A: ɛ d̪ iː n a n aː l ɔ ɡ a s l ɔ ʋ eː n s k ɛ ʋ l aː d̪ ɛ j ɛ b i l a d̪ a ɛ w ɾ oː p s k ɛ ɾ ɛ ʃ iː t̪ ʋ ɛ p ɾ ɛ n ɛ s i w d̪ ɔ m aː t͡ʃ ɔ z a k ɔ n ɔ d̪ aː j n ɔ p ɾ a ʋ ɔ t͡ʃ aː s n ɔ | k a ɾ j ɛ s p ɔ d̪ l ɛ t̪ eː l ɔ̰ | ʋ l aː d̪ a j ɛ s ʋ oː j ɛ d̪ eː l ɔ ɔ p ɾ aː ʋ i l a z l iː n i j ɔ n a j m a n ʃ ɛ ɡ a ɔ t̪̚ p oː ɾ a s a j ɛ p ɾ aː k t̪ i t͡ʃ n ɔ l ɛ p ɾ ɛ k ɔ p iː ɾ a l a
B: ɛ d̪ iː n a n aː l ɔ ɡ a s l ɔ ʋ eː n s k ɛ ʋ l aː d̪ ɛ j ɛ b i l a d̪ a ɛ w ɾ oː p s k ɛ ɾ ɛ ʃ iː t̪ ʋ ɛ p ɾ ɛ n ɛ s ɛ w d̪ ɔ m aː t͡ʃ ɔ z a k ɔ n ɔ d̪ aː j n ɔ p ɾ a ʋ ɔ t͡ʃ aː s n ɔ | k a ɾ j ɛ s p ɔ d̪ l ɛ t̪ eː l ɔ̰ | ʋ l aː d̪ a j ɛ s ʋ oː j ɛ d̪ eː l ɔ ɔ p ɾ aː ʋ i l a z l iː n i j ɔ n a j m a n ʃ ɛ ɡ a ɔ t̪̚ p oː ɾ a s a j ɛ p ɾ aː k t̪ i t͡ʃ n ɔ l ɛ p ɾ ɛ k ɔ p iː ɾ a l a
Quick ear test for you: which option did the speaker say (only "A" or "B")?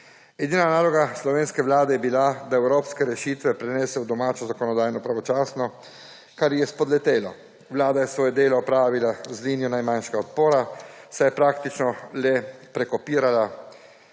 B